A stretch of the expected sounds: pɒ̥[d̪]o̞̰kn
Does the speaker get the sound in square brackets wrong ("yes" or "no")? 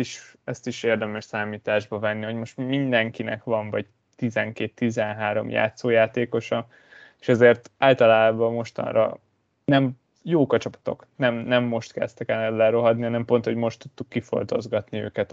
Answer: yes